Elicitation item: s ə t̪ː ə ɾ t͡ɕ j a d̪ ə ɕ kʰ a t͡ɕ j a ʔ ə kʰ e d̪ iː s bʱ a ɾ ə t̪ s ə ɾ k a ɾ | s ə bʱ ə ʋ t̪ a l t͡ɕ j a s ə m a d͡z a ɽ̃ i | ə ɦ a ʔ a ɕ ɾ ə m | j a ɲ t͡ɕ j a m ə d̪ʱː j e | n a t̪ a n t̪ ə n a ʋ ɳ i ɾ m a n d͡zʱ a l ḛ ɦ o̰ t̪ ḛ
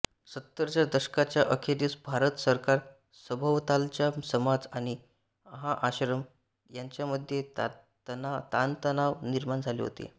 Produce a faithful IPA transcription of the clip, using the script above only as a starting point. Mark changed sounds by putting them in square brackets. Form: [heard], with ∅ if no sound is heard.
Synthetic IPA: s ə t̪ː ə ɾ t͡ɕ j a d̪ ə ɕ [k] a t͡ɕ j a ʔ ə kʰ e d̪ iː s bʱ a ɾ ə t̪ s ə ɾ k a ɾ | s ə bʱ ə ʋ t̪ a l t͡ɕ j a s ə m a d͡z a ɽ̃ i | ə ɦ a ʔ a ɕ ɾ ə m | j a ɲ t͡ɕ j a m ə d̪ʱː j e | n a t̪ a n t̪ ə n a ʋ [n] i ɾ m a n d͡zʱ a l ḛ ɦ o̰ t̪ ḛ